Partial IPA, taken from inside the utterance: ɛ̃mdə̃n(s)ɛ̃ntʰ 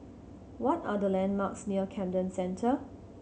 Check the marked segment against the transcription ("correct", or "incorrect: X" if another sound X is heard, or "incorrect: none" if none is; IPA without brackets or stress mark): correct